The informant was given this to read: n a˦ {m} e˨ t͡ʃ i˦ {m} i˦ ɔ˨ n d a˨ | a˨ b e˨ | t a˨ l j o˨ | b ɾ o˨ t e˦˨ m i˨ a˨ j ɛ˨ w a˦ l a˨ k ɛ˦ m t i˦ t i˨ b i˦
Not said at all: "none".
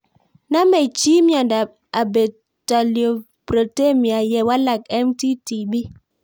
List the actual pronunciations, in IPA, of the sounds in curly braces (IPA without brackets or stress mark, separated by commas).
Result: m, m